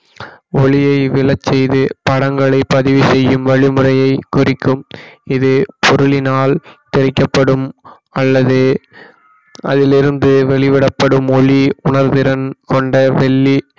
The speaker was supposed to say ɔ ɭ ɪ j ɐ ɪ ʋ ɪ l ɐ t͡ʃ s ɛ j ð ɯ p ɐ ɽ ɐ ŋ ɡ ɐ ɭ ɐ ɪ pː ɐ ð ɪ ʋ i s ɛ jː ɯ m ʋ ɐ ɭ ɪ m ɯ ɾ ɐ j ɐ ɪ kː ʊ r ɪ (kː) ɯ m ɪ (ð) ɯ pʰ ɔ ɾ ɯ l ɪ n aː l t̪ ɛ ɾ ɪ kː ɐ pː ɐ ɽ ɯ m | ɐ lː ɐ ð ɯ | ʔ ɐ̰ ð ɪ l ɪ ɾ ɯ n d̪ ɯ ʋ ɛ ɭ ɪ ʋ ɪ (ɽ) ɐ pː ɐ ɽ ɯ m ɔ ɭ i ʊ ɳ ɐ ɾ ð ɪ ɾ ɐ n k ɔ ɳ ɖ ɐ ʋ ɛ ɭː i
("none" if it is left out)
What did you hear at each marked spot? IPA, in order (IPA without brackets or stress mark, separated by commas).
kː, ð, ɽ